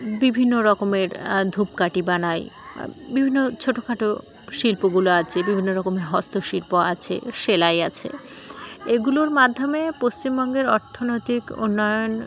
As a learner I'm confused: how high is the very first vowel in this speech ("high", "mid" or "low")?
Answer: high